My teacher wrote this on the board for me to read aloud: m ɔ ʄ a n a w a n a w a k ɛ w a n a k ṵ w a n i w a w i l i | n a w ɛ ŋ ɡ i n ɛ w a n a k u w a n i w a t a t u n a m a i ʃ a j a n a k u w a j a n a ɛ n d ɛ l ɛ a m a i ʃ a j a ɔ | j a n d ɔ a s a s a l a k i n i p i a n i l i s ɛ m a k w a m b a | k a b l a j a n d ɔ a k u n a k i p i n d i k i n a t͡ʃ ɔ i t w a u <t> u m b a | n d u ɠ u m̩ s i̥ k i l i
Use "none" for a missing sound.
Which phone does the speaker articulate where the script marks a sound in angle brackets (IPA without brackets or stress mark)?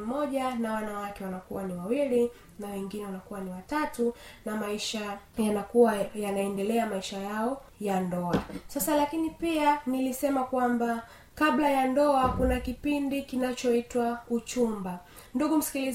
t͡ʃ